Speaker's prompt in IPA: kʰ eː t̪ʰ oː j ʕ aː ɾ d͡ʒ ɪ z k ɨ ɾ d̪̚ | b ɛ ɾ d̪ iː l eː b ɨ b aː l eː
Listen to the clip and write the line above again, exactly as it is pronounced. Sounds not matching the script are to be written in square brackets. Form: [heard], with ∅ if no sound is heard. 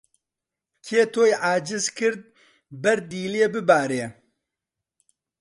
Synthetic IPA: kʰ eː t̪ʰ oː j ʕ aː [∅] d͡ʒ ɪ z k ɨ ɾ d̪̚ | b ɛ ɾ d̪ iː l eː b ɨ b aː [ɾ] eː